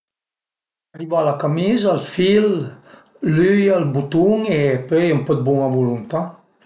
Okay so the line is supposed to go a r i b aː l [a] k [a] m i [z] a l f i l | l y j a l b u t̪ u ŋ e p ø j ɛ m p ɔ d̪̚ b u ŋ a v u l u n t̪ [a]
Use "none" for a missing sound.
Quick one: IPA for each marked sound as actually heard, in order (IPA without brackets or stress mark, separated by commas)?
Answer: a, a, z, a